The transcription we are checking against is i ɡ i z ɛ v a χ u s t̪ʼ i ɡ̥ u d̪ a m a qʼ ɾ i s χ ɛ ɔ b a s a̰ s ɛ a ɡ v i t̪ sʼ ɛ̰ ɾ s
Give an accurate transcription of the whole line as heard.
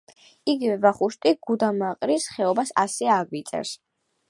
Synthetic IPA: i ɡ i v ɛ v a χ u ʃ t̪ʼ i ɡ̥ u d̪ a m a qʼ ɾ i s χ ɛ ɔ b a s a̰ s ɛ a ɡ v i t̪ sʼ ɛ̰ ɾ s